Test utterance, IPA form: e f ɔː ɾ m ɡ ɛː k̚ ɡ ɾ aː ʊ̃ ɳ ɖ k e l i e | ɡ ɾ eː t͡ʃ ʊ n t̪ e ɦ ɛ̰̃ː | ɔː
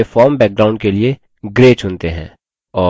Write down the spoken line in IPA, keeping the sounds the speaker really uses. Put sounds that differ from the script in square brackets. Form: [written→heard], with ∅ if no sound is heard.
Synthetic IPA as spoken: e f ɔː ɾ m [ɡ→b] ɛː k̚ ɡ ɾ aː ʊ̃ ɳ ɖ k e l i e | ɡ ɾ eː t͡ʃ ʊ n t̪ e ɦ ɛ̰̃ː | ɔː